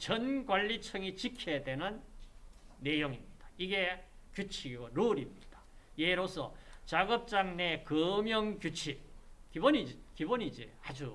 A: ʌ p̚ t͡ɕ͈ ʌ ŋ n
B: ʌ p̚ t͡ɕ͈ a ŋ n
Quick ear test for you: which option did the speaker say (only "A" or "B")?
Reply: B